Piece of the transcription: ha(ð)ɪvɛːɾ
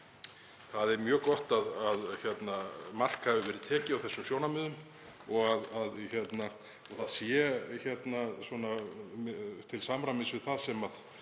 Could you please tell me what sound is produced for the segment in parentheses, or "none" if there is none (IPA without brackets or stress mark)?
v